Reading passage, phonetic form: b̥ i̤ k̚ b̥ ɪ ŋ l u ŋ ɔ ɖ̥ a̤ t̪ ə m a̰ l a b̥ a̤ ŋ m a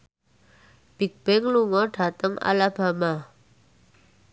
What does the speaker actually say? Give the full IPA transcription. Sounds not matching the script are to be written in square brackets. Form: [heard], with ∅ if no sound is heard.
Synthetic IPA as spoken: b̥ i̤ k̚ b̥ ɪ ŋ l u ŋ ɔ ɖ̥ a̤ t̪ ə [ŋ] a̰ l a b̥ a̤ [∅] m a

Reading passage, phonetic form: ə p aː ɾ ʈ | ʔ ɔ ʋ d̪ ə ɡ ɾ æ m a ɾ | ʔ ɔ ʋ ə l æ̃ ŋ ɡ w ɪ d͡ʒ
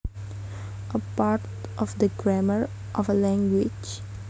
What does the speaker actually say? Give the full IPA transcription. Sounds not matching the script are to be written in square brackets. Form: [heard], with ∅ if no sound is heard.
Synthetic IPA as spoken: ə p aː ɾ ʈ | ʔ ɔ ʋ d̪ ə ɡ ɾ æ m [ə] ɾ | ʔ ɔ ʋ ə l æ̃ ŋ ɡ w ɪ d͡ʒ

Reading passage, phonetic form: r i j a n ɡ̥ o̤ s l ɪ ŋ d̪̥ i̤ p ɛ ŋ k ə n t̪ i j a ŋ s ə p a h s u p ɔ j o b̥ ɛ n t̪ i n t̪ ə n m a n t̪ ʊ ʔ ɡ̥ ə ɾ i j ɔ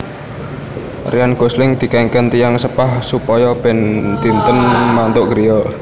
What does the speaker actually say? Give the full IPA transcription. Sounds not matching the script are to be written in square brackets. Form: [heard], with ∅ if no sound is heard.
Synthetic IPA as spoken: r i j a n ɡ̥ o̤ s l ɪ ŋ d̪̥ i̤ [k] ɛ ŋ k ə n t̪ i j a ŋ s ə p a h s u p ɔ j [ɔ] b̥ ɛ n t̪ i n t̪ ə n m a n t̪ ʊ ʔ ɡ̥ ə ɾ i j ɔ

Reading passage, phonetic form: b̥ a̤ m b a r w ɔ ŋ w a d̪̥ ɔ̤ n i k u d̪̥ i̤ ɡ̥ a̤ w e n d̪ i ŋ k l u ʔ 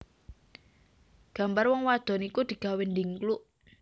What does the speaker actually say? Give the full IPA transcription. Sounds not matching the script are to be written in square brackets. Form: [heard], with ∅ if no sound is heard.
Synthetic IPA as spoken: [ɡ̥] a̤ m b a r w ɔ ŋ w a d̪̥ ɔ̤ n i k u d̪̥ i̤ ɡ̥ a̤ w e n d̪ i ŋ k l u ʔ

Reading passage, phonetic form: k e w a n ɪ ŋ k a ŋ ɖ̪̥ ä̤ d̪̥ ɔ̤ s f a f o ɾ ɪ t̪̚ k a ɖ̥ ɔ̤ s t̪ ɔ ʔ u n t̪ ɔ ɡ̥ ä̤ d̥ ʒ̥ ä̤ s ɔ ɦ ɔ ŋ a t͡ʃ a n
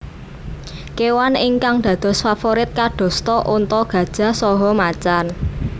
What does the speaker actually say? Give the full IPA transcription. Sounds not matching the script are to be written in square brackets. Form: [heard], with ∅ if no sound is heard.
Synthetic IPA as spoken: k e w a n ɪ ŋ k a ŋ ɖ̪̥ ä̤ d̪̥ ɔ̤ s f a f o ɾ ɪ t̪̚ k a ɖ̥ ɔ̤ s t̪ ɔ ʔ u n t̪ ɔ ɡ̥ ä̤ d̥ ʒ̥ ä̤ s ɔ ɦ ɔ [m] a t͡ʃ a n

